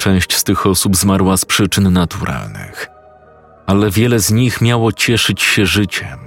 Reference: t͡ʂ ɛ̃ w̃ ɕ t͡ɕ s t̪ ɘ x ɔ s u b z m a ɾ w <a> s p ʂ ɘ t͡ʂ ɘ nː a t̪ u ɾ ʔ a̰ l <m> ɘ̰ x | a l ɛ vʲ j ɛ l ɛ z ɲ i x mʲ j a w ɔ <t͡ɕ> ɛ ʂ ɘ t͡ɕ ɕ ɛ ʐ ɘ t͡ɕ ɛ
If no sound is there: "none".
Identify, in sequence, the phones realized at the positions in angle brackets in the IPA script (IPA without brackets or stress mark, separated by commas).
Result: a, n, t͡ɕ